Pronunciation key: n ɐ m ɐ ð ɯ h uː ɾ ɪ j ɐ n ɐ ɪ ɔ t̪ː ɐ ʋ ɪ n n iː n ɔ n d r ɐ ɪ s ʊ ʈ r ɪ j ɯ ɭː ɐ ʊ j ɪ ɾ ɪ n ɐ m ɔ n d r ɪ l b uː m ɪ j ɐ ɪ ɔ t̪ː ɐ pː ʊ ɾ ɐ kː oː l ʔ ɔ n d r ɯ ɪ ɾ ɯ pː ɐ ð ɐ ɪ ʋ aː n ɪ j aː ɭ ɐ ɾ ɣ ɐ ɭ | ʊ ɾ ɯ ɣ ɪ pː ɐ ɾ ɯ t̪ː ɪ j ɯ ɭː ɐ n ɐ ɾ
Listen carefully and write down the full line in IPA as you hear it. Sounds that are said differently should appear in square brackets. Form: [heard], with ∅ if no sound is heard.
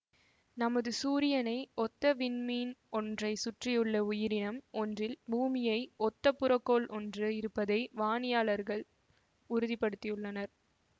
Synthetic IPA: n ɐ m ɐ ð ɯ [s] uː ɾ ɪ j ɐ n ɐ ɪ ɔ t̪ː ɐ ʋ ɪ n [m] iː n ɔ n d r ɐ ɪ s ʊ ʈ r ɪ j ɯ ɭː ɐ ʊ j ɪ ɾ ɪ n ɐ m ɔ n d r ɪ l b uː m ɪ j ɐ ɪ ɔ t̪ː ɐ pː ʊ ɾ ɐ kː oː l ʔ ɔ n d r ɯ ɪ ɾ ɯ pː ɐ ð ɐ ɪ ʋ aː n ɪ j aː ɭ ɐ ɾ ɣ ɐ ɭ | ʊ ɾ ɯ [ð] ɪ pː ɐ [ɽ] ɯ t̪ː ɪ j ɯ ɭː ɐ n ɐ ɾ